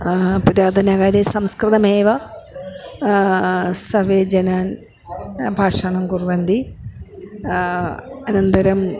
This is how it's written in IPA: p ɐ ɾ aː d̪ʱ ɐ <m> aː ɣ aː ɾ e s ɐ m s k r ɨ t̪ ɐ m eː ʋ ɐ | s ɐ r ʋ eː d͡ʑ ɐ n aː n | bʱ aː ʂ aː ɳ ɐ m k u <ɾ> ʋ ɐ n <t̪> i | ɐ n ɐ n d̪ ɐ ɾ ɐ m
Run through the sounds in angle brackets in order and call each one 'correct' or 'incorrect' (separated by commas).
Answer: incorrect, incorrect, incorrect